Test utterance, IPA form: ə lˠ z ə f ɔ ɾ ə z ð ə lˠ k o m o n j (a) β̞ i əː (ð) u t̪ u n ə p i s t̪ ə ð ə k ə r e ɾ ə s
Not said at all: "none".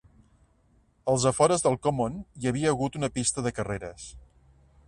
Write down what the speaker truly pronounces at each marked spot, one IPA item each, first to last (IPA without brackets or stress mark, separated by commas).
ə, ɣ